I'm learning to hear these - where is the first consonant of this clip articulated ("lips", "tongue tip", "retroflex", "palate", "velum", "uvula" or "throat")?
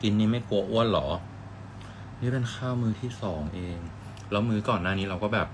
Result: velum